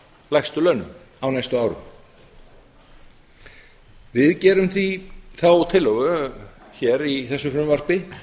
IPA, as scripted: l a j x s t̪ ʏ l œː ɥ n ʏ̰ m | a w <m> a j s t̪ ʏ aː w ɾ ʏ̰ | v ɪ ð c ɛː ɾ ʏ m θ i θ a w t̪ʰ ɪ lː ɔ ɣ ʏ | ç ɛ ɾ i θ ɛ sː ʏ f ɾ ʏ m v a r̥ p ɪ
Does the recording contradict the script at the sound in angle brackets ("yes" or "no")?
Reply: yes